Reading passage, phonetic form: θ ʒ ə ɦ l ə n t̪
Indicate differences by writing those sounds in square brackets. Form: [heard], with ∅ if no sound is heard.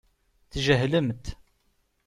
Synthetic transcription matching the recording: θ ʒ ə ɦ l ə [m] t̪